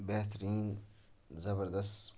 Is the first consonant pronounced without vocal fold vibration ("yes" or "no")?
no